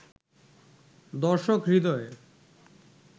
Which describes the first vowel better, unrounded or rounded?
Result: rounded